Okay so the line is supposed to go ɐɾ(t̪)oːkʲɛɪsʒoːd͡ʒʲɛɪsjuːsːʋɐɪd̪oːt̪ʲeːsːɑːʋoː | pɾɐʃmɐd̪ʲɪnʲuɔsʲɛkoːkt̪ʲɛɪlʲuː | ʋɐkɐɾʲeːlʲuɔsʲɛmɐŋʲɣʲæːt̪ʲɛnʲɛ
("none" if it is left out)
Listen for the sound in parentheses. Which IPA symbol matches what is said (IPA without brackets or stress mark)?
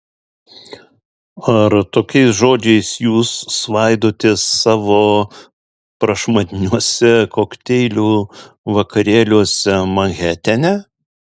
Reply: t̪